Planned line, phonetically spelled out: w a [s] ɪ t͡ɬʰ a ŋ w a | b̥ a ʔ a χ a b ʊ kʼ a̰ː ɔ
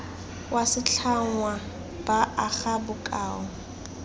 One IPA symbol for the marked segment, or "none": s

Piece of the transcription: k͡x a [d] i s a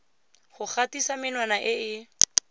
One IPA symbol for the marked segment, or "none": t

